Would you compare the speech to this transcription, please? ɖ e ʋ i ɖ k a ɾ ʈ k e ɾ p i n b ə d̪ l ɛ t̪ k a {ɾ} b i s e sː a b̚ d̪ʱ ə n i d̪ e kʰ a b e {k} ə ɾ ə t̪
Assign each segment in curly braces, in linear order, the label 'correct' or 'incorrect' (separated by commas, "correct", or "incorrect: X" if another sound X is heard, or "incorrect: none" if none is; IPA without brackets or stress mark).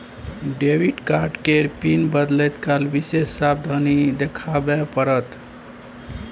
incorrect: l, incorrect: p